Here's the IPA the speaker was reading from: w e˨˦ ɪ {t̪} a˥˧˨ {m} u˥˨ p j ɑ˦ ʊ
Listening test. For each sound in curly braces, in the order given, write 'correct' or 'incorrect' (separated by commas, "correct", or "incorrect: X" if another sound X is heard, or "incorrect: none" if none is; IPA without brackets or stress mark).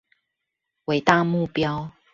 correct, correct